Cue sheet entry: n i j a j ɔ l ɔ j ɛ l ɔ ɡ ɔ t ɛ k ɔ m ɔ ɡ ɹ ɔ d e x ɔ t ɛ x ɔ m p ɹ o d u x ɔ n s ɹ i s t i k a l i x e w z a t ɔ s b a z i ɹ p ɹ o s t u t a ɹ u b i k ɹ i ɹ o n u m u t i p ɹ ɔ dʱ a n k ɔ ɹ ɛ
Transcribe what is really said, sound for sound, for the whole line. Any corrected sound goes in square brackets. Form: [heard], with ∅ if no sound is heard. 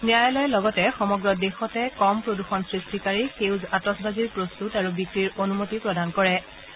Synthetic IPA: n i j a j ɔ l ɔ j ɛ l ɔ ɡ ɔ t ɛ [x] ɔ m ɔ ɡ ɹ ɔ d e x ɔ t ɛ [k] ɔ m p ɹ o d u x ɔ n s ɹ i s t i k a [ɹ] i x e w z a t ɔ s b a z i ɹ p ɹ o s t u t a ɹ u b i k ɹ i ɹ o n u m [o] t i p ɹ ɔ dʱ a n k ɔ ɹ ɛ